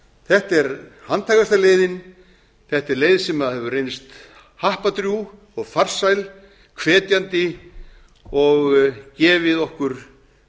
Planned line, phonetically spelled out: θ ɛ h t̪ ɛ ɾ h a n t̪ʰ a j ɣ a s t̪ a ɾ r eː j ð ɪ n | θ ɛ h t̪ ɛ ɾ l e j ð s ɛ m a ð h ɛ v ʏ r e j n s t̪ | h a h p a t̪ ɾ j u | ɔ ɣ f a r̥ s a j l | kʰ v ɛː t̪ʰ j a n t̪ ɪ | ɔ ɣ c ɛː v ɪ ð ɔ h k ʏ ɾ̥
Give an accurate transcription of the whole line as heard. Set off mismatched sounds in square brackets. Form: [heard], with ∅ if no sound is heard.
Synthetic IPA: θ ɛ h t̪ ɛ ɾ h a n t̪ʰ a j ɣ a s t̪ a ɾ [l] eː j ð ɪ n | θ ɛ h t̪ ɛ ɾ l e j ð s ɛ m a ð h ɛ v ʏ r e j n s t̪ | h a h p a t̪ ɾ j u | ɔ ɣ f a r̥ s a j l | kʰ v ɛː [t̪] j a n t̪ ɪ | ɔ ɣ c ɛː v ɪ ð ɔ h k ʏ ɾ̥